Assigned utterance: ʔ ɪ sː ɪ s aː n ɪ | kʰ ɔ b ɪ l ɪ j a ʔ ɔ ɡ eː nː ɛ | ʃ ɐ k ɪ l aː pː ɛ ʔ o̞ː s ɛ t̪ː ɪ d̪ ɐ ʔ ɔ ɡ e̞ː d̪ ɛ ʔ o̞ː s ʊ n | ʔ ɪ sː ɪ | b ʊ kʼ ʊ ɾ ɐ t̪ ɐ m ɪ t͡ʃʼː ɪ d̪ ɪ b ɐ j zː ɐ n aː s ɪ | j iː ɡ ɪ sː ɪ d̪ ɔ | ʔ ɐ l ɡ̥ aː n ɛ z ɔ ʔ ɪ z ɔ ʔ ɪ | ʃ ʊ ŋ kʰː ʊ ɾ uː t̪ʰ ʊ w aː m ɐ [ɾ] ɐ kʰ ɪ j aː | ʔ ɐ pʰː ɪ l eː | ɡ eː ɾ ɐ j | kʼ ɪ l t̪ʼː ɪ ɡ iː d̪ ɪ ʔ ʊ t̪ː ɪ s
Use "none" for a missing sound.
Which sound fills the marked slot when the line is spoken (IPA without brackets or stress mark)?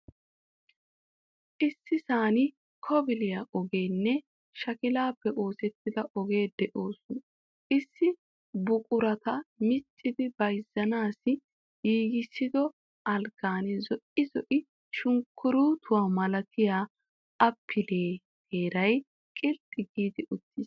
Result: l